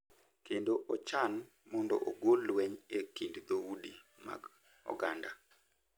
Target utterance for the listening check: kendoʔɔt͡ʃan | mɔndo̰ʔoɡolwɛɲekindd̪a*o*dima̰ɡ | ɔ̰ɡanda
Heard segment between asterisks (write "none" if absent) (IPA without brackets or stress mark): u